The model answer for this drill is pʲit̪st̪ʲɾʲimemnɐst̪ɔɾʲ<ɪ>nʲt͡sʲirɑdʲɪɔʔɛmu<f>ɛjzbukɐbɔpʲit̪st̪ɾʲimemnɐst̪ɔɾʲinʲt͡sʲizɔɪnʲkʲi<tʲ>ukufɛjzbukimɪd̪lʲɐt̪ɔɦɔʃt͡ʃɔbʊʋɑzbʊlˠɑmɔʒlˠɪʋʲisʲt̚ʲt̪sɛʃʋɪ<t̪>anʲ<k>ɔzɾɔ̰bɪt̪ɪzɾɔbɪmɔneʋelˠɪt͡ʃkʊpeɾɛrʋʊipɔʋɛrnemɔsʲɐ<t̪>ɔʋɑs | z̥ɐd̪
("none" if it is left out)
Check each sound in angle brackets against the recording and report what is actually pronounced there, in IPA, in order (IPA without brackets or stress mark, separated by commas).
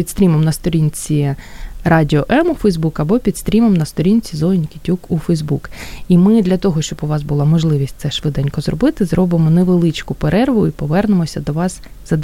i, f, tʲ, d̪, k, d̪